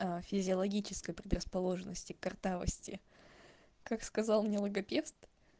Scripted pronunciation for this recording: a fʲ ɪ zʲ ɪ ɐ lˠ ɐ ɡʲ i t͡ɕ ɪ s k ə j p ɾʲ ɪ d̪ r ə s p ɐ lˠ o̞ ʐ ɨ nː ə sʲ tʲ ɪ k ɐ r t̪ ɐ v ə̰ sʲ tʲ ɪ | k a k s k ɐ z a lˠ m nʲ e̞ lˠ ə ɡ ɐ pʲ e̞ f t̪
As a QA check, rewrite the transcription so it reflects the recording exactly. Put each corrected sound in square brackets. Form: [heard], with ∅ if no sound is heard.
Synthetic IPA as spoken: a fʲ ɪ zʲ ɪ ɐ lˠ ɐ ɡʲ i t͡ɕ ɪ s k ə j p ɾʲ ɪ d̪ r ə s p ɐ lˠ o̞ ʐ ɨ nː ə sʲ tʲ ɪ k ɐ r t̪ [a] v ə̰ sʲ tʲ ɪ | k a k s k ɐ z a lˠ m nʲ e̞ lˠ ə ɡ ɐ pʲ e̞ f t̪